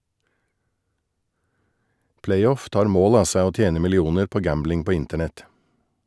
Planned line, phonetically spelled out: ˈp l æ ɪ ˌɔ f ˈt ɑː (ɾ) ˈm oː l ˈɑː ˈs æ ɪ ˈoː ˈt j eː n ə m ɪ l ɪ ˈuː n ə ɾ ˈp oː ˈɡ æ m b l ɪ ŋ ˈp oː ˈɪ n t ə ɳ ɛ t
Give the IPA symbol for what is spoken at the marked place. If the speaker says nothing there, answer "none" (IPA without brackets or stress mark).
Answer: ɾ